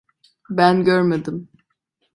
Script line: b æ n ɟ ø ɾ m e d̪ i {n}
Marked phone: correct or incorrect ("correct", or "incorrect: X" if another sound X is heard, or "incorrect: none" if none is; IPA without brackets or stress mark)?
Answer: incorrect: m